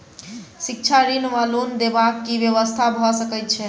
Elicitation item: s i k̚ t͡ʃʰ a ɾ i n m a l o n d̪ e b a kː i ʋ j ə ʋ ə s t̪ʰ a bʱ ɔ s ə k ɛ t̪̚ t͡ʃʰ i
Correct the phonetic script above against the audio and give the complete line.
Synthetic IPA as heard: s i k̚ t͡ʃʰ a ɾ i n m a l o n d̪ e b a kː i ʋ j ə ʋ ə s t̪ʰ a bʱ ɔ s ə k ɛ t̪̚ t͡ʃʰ ɛ